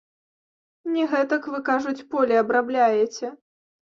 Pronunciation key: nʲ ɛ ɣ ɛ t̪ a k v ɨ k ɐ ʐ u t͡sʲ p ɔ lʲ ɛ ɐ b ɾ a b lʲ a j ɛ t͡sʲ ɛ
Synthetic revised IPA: nʲ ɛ ɣ ɛ t̪ ɐ k v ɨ k a ʐ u t͡sʲ p ɔ lʲ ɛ ɐ b ɾ a b lʲ a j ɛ t͡sʲ ɛ